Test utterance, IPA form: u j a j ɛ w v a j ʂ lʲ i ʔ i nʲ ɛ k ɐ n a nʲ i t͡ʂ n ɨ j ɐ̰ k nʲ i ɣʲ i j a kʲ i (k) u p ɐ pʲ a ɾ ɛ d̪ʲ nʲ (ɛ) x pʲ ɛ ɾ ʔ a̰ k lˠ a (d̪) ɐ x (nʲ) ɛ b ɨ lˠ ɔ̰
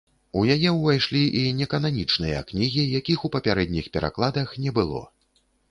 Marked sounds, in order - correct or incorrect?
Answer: incorrect: x, incorrect: i, correct, correct

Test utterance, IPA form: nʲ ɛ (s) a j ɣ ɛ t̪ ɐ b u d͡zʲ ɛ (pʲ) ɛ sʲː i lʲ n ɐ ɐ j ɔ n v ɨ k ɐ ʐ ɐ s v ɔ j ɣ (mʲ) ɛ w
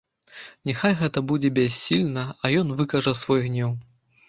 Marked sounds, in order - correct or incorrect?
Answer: incorrect: x, incorrect: bʲ, incorrect: nʲ

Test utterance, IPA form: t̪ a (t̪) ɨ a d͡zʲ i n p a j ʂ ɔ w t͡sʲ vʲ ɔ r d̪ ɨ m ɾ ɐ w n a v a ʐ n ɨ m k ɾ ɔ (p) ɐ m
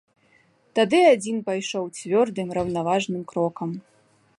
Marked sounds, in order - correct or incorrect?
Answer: incorrect: d̪, incorrect: k

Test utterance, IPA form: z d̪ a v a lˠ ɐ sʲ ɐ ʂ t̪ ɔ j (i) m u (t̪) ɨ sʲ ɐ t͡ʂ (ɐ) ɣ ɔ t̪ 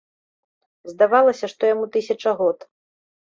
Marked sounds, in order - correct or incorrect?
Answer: incorrect: a, correct, correct

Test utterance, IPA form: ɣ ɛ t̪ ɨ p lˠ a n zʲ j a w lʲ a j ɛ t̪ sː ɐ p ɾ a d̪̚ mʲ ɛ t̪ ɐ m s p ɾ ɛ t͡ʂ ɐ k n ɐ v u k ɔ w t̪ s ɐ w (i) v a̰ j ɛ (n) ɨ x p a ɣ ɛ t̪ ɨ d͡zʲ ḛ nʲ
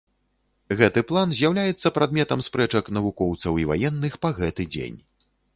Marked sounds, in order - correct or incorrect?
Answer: correct, incorrect: nː

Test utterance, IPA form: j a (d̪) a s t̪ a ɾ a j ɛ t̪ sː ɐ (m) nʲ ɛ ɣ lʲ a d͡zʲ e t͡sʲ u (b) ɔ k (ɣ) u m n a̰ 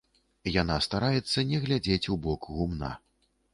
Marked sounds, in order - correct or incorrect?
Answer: incorrect: n̪, incorrect: none, correct, correct

